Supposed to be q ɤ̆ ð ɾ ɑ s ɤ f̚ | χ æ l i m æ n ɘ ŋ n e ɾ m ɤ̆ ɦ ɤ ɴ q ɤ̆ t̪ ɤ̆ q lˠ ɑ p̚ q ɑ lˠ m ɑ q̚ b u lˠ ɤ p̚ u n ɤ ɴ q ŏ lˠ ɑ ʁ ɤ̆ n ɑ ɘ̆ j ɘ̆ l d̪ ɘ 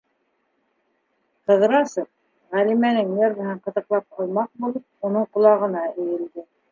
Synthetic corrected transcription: q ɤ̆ ð ɾ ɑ s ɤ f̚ | ʁ æ l i m æ n ɘ ŋ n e ɾ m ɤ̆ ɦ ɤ ɴ q ɤ̆ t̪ ɤ̆ q lˠ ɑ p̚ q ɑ lˠ m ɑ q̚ b u lˠ ɤ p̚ u n ɤ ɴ q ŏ lˠ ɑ ʁ ɤ̆ n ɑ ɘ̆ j ɘ̆ l d̪ ɘ

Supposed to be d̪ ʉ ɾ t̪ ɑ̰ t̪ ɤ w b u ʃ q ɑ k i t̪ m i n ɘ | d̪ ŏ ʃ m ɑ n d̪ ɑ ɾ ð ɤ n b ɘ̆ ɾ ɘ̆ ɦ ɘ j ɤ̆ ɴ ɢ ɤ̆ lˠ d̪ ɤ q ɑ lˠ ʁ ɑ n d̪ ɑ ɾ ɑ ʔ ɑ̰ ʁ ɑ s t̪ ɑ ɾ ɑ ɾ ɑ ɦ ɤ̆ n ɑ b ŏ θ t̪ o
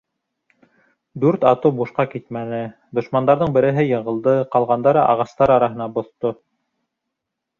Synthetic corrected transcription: d̪ ʉ ɾ t̪ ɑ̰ t̪ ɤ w b u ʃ q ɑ k i t̪ m æ n ɘ | d̪ ŏ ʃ m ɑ n d̪ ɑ ɾ ð ɤ ɴ b ɘ̆ ɾ ɘ̆ ɦ ɘ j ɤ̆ ɴ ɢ ɤ̆ lˠ d̪ ɤ q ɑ lˠ ʁ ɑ n d̪ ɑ ɾ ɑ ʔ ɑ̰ ʁ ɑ s t̪ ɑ ɾ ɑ ɾ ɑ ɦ ɤ̆ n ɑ b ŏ θ t̪ o

